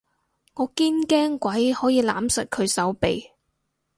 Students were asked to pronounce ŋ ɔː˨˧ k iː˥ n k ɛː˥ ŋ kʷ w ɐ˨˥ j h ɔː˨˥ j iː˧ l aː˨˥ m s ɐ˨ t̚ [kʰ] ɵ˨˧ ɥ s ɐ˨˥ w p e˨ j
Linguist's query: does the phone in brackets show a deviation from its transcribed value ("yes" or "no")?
no